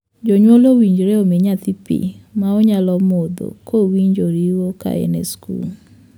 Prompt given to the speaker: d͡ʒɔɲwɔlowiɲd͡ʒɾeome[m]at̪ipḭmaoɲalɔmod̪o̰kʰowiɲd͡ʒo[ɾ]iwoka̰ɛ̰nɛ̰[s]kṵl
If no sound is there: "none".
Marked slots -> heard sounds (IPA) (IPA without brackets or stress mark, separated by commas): ɲ, ɾ, s